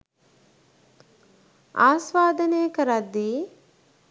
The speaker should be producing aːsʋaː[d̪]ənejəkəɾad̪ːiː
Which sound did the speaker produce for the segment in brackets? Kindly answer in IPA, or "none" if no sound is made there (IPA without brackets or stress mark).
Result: d̪